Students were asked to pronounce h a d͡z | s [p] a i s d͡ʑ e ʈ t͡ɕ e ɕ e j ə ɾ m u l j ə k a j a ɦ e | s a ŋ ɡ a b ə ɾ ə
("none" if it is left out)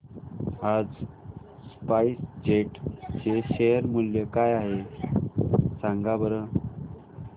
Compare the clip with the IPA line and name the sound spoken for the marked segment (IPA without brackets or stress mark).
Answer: p